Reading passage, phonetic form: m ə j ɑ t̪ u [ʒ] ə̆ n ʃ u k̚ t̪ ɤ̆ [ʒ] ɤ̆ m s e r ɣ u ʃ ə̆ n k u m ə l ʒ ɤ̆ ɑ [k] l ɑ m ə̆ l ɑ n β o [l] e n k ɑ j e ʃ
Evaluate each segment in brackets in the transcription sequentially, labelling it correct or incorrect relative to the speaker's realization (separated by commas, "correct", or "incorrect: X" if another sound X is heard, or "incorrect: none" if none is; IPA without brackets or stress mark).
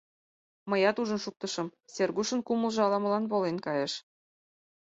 correct, incorrect: ʃ, incorrect: none, correct